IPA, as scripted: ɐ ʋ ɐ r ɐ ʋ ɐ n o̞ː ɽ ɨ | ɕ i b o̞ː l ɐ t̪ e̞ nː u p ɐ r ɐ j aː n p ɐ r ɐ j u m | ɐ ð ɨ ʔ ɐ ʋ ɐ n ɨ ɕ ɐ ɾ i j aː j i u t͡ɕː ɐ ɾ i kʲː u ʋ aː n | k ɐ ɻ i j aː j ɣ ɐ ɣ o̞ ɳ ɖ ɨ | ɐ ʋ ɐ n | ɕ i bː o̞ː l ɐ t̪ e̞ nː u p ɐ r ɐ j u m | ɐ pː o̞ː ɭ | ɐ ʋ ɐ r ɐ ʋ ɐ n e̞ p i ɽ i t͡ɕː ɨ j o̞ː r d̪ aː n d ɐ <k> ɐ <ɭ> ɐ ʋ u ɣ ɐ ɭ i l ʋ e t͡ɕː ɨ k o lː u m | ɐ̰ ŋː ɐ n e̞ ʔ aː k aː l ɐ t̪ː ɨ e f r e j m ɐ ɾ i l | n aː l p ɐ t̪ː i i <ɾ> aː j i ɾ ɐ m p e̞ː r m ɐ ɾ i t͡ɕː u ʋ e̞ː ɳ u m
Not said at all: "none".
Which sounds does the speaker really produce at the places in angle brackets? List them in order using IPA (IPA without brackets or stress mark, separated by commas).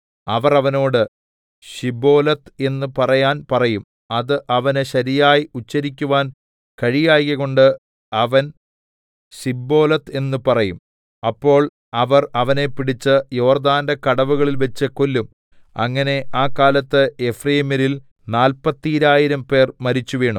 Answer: k, ɽ, ɾ